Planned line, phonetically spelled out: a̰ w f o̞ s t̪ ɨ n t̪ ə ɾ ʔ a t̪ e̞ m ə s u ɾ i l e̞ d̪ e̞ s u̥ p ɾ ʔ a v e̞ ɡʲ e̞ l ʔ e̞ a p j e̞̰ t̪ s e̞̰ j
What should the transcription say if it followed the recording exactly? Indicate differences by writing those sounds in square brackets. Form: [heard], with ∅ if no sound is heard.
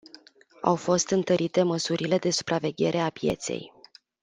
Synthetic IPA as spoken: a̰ w f o̞ s t̪ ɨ n t̪ ə ɾ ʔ [i] t̪ e̞ m ə s u ɾ i l e̞ d̪ e̞ s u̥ p ɾ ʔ a v e̞ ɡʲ e̞ [ɾ] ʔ e̞ a p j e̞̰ t̪ s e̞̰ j